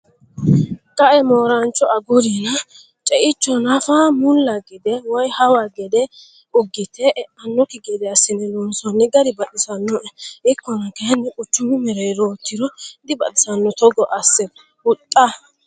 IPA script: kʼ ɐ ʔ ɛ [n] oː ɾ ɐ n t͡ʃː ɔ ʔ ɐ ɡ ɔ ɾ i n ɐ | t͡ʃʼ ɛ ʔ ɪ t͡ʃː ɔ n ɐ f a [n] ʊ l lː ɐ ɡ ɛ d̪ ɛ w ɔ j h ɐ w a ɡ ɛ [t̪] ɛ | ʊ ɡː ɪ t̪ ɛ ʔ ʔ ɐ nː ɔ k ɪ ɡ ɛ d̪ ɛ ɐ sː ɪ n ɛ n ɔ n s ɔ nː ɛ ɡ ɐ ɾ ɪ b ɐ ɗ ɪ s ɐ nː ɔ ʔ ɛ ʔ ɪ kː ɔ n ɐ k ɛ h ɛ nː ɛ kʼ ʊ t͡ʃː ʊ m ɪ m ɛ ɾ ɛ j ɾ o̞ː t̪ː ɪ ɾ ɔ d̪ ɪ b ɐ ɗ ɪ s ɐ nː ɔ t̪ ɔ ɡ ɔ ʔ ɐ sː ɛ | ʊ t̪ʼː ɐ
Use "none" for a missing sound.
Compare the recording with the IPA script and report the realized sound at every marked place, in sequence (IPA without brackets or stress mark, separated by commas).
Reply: m, m, d̪